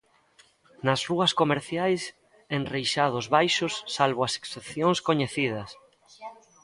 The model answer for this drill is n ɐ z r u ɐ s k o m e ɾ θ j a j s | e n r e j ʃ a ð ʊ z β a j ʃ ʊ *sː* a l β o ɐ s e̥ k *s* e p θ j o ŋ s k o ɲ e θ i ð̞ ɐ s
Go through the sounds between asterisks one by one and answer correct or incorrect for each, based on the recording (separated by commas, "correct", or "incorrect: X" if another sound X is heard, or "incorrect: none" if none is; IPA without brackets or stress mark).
correct, correct